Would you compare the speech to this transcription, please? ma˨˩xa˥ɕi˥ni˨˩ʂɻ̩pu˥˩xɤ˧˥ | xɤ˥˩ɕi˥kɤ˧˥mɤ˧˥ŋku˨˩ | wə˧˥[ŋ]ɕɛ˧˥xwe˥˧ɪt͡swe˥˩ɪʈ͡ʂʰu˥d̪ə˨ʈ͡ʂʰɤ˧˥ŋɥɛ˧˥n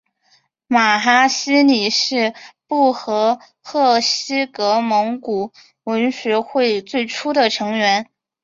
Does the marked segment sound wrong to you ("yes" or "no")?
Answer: yes